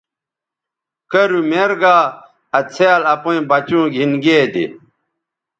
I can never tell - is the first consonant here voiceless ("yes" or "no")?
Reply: yes